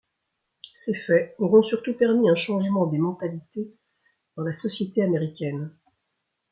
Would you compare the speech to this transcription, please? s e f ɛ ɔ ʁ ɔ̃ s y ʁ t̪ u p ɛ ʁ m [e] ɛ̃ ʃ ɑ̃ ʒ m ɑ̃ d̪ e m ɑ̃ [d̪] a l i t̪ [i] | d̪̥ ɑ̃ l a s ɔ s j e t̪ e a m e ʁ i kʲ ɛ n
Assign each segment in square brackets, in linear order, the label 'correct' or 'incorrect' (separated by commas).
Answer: incorrect, incorrect, incorrect